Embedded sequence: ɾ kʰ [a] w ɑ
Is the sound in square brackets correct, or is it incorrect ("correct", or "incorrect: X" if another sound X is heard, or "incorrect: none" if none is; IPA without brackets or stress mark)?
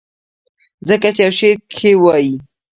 incorrect: e